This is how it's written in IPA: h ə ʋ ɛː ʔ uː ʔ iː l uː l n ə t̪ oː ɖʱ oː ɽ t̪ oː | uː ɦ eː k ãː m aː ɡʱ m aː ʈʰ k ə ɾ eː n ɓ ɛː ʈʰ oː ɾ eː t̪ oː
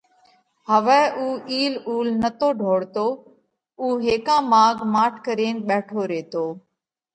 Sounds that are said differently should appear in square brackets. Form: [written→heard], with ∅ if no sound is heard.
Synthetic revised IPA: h ə ʋ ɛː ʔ uː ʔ iː l uː l n ə t̪ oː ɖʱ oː ɽ t̪ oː | uː ɦ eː k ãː m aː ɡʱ m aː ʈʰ k ə ɾ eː n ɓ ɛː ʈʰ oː ɾ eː t̪ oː